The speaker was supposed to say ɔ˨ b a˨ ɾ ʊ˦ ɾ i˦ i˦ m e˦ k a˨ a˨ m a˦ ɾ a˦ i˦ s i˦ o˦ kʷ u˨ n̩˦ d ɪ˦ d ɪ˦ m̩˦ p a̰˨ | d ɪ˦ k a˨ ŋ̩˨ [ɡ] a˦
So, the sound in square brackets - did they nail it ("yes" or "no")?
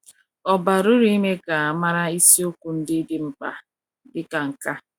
no